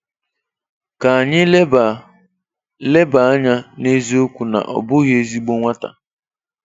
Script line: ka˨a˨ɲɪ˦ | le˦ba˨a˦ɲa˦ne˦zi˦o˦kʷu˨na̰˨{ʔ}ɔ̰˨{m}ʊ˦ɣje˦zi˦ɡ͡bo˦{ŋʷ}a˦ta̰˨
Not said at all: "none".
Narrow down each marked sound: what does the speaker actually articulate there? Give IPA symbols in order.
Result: ʔ, b, ŋʷ

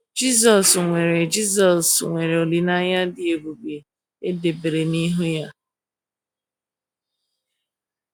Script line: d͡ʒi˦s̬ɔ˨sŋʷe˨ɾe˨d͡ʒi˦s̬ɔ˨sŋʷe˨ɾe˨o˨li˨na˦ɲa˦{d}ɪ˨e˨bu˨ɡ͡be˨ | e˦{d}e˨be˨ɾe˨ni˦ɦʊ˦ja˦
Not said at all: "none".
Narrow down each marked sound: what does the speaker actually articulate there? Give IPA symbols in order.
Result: d, d

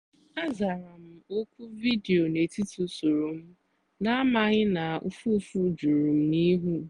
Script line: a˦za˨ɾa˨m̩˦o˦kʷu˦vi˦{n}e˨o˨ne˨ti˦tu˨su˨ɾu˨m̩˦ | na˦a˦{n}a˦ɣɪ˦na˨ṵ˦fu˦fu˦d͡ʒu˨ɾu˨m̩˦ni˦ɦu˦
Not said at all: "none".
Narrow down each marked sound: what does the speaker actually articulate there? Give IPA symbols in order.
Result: d, m

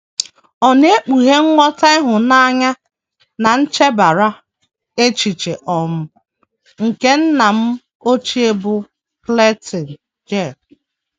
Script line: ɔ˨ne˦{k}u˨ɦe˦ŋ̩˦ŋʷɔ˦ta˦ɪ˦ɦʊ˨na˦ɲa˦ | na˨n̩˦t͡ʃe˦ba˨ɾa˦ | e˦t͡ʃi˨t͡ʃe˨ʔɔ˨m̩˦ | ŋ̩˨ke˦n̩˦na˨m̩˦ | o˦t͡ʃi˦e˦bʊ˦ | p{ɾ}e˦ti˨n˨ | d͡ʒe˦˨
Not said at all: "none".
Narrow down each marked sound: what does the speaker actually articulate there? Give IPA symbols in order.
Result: k͡p, l

